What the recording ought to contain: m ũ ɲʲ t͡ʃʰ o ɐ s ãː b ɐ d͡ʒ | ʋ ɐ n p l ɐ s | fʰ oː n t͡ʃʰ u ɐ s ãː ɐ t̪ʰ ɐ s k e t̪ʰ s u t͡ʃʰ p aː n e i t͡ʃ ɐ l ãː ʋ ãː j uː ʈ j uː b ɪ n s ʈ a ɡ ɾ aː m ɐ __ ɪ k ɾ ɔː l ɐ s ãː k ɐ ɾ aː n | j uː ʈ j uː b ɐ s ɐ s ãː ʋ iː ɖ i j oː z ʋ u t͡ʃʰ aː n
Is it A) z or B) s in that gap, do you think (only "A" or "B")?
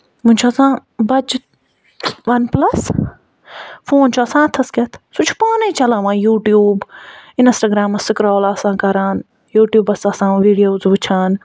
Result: B